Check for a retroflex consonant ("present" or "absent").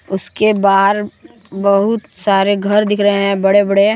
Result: present